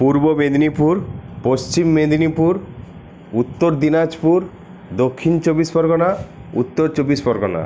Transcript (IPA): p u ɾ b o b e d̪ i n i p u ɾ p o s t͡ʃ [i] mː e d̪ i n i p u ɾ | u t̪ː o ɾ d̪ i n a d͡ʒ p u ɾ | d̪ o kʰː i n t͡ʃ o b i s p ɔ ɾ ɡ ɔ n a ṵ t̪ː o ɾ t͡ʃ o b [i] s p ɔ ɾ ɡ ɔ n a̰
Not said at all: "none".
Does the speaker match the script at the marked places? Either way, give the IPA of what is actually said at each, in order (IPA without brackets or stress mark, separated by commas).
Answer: i, i